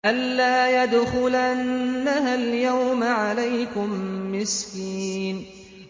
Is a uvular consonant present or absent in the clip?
absent